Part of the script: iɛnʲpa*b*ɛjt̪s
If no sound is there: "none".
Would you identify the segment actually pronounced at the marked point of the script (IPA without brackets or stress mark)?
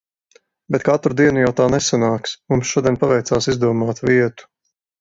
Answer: v